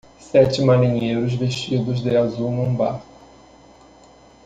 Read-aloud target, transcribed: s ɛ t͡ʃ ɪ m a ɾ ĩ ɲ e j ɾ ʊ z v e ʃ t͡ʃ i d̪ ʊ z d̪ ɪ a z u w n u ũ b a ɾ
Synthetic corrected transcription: s ɛ t͡ʃ ɪ m a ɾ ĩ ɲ e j ɾ ʊ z v e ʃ t͡ʃ i d̪ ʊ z d̪ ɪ a z u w n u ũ b a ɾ